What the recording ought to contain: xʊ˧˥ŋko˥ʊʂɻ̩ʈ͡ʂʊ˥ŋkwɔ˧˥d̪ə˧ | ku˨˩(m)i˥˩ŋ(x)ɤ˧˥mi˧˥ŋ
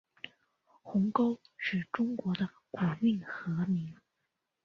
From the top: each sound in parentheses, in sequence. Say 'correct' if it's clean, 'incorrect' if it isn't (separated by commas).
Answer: correct, correct